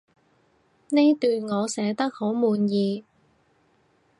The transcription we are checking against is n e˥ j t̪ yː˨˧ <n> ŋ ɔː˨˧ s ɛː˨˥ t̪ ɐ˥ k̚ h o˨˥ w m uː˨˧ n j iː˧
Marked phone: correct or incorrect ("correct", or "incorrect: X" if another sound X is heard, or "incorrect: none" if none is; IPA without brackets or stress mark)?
correct